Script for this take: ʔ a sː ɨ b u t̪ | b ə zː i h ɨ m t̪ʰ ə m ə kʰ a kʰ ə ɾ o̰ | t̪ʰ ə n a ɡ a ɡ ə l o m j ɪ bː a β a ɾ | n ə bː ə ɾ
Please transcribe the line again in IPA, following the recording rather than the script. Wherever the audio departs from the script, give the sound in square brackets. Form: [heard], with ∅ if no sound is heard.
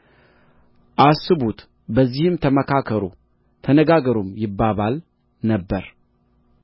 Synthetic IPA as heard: ʔ a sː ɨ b u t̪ | b ə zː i h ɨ m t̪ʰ ə m ə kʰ a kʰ ə ɾ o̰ | t̪ʰ ə n [ə] ɡ a ɡ ə [ɾ] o m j ɪ bː a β a [l] | n ə bː ə ɾ